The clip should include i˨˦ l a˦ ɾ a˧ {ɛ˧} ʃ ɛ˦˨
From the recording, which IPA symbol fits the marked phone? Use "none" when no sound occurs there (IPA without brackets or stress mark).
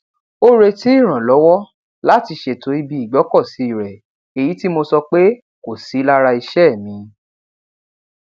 i˧